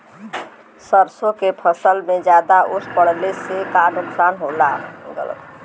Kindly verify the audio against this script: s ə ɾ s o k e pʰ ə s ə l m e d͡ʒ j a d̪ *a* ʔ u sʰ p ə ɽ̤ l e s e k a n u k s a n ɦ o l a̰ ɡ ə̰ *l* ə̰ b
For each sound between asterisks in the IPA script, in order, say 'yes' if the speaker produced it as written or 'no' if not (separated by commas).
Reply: yes, yes